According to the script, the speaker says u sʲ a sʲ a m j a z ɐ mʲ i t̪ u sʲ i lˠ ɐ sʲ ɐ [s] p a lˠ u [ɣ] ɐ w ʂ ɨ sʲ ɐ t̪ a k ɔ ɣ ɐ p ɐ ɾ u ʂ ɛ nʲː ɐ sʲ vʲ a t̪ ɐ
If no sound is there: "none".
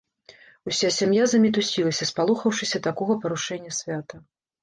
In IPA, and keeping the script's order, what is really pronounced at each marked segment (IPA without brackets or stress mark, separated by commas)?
s, x